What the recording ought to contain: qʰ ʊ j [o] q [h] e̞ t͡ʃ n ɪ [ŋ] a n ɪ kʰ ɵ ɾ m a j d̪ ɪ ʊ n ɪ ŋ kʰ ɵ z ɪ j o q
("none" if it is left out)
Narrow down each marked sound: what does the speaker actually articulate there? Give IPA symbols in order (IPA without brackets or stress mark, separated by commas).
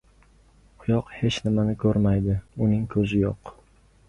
ɒ, h, m